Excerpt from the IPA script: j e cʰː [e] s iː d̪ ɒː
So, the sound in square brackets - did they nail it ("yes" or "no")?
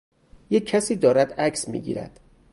no